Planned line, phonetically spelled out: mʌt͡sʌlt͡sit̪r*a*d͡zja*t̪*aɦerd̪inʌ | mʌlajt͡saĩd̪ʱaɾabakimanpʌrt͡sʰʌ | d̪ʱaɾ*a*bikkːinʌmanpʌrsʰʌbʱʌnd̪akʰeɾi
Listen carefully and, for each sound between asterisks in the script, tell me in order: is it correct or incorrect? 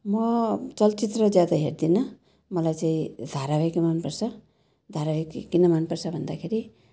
incorrect: ʌ, incorrect: d̪, correct

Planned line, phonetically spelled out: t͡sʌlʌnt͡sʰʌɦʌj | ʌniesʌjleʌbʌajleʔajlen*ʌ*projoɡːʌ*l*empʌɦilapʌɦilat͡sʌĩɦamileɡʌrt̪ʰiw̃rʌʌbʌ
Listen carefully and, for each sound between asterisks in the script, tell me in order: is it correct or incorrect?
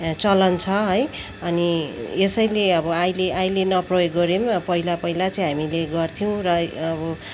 correct, incorrect: ɾ

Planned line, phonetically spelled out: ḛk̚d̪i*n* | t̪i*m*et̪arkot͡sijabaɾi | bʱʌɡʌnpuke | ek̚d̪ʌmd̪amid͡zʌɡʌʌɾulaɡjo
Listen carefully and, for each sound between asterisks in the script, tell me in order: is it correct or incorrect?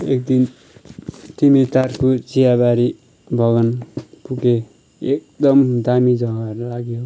correct, correct

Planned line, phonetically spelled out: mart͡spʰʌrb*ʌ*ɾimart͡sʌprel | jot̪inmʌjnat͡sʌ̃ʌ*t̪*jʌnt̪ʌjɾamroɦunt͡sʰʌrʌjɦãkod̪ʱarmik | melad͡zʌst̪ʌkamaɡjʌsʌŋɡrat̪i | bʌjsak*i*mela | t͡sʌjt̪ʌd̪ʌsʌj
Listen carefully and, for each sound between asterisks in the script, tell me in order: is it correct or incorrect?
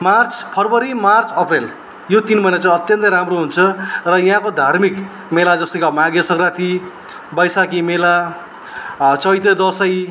correct, correct, correct

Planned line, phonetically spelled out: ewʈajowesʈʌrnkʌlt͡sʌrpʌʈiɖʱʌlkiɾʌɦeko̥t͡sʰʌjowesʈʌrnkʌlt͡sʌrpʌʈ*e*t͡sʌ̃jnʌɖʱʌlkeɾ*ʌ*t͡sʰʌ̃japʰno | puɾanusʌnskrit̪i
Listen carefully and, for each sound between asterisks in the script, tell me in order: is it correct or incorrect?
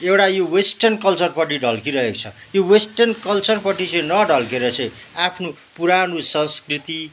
incorrect: i, correct

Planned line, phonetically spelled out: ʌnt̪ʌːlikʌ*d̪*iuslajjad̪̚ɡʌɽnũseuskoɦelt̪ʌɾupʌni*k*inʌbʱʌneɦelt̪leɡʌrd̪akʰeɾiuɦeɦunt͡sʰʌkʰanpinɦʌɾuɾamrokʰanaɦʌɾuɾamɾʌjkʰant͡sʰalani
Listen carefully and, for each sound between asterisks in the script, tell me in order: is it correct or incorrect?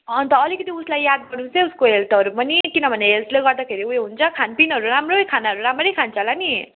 incorrect: t̪, correct

